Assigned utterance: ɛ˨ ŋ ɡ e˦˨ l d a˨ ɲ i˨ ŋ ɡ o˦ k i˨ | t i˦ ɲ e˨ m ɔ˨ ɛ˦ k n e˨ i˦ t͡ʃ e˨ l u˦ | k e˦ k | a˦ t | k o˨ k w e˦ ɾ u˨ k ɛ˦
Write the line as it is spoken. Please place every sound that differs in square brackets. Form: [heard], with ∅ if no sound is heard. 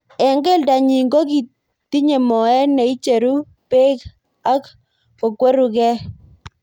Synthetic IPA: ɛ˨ ŋ ɡ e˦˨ l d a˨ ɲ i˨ ŋ ɡ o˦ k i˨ | t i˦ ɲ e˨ m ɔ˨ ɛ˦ [∅] n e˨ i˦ t͡ʃ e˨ [ɾ] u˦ | [p] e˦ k | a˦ [k] | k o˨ k w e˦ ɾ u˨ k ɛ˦